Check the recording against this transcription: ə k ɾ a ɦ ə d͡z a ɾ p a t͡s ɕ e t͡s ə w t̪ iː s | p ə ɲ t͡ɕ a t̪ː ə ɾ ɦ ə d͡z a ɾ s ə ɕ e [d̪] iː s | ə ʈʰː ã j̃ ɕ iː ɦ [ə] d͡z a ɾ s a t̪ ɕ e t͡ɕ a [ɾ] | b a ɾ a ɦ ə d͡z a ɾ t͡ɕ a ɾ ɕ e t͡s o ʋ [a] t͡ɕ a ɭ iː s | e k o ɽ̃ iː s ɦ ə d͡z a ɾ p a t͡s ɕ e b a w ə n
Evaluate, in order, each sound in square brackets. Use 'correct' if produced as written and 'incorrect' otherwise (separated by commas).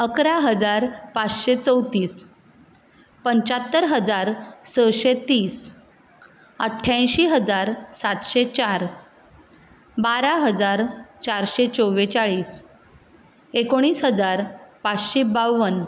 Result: incorrect, correct, correct, incorrect